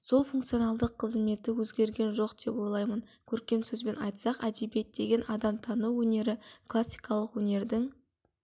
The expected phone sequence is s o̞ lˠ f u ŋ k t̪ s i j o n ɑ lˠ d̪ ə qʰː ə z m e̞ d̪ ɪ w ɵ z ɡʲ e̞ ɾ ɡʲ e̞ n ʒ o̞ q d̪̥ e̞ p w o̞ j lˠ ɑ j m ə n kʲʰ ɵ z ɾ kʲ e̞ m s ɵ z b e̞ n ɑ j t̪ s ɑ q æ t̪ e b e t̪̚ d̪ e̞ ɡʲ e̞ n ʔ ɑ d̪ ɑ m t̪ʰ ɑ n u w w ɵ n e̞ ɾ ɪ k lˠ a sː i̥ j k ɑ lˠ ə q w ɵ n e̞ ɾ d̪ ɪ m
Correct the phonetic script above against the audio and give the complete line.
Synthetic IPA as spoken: s o̞ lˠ f u ŋ k t̪ s i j o n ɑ lˠ d̪ ə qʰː ə z m e̞ t̪ ɪ w ɵ z ɡʲ e̞ ɾ ɡʲ e̞ n ʒ o̞ q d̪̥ e̞ p w o̞ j lˠ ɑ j m ə n kʲʰ ɵ ɾ kʲ e̞ m s ɵ z b e̞ n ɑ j t̪ s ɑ q æ d̪ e b e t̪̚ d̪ e̞ ɡʲ e̞ n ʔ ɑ d̪ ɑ m t̪ʰ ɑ n u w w ɵ n e̞ ɾ ɪ k lˠ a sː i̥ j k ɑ lˠ ə q w ɵ n e̞ ɾ d̪ ɪ ŋ